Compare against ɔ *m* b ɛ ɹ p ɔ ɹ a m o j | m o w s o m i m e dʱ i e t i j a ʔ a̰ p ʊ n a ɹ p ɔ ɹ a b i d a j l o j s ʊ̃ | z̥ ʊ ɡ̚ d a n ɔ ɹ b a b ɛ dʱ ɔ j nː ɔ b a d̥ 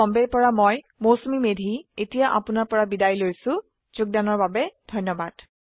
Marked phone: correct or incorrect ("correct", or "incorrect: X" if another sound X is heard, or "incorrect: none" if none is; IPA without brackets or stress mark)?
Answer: correct